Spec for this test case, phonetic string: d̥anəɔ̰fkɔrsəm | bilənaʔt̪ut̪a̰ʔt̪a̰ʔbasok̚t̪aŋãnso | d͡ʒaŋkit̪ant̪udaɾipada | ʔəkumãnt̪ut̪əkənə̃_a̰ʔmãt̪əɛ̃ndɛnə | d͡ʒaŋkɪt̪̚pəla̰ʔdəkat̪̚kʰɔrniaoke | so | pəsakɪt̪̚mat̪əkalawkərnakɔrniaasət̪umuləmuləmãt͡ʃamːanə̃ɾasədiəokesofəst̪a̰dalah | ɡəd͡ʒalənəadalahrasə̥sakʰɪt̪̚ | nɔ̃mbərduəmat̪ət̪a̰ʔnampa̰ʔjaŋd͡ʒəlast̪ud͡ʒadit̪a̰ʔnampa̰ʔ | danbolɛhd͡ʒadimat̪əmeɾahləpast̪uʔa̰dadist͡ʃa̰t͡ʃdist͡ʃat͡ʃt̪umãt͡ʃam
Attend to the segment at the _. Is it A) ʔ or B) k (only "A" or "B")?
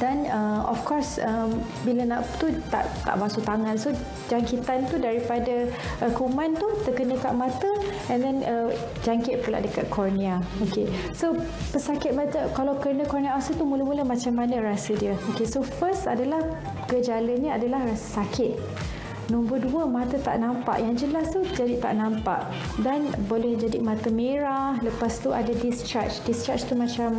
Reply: B